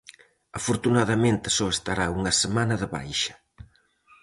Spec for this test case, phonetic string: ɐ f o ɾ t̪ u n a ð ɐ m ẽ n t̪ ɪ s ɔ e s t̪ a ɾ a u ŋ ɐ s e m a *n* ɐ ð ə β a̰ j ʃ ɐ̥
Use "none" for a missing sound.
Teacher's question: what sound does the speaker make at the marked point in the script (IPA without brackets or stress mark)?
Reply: n